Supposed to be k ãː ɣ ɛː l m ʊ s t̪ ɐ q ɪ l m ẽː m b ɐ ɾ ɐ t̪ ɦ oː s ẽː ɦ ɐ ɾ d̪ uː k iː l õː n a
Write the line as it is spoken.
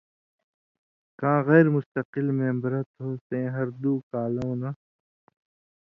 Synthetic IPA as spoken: k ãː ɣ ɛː ɾ m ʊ s t̪ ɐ q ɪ l m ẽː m b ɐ ɾ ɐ t̪ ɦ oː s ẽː ɦ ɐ ɾ d̪ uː k aː l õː n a